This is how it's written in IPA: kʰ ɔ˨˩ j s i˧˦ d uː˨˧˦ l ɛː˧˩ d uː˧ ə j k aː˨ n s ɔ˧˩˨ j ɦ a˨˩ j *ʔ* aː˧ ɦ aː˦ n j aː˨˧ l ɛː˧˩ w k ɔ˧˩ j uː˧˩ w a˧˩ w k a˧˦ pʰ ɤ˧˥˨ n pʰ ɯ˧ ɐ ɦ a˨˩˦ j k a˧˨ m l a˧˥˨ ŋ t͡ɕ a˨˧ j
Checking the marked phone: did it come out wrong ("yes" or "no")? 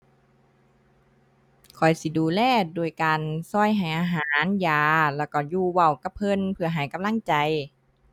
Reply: no